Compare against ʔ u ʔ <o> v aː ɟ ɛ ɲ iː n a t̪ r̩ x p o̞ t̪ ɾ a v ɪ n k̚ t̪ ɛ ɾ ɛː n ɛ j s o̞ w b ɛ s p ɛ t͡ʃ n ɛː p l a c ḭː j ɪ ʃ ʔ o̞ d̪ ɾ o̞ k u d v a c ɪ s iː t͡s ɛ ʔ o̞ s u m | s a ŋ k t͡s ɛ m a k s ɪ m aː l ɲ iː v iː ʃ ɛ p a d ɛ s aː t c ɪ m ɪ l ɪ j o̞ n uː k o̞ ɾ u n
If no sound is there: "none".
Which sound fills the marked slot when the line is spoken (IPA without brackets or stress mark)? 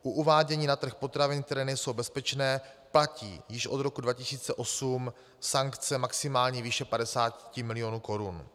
u